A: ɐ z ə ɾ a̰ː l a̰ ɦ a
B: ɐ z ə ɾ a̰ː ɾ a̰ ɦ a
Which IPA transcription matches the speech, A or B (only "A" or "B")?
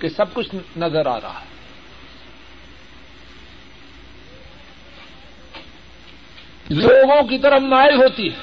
B